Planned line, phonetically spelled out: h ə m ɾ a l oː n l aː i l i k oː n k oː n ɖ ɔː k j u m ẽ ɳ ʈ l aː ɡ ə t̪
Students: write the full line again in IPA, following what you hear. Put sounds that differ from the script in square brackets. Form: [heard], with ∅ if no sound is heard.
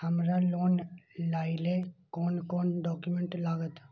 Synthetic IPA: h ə m ɾ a l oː n l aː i l [e] k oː n k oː n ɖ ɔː k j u m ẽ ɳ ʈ l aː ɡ ə t̪